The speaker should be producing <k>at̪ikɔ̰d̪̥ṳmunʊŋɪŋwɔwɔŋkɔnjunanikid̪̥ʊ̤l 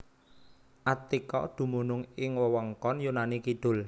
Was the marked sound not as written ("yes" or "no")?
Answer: yes